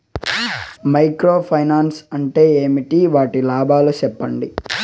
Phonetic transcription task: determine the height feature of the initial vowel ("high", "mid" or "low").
low